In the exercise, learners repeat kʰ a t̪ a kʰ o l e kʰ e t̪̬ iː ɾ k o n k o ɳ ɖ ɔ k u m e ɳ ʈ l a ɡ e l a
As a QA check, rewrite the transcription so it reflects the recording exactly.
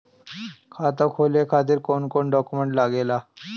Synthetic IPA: kʰ a t̪ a kʰ o l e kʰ a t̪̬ iː ɾ k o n k o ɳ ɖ ɔ k u m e ɳ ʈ l a ɡ e l a